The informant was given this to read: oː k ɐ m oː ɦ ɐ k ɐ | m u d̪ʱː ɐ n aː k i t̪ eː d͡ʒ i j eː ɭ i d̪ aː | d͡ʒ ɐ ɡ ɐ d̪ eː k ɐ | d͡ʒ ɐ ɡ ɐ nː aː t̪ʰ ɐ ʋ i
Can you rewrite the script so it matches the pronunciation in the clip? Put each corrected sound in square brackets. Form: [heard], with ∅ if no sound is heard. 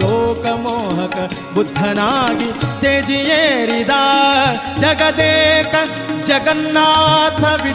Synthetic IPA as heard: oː k ɐ m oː ɦ ɐ k ɐ | [b] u d̪ʱː ɐ n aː [ɡ] i t̪ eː d͡ʒ i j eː [ɾ] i d̪ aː | d͡ʒ ɐ ɡ ɐ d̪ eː k ɐ | d͡ʒ ɐ ɡ ɐ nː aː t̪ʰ ɐ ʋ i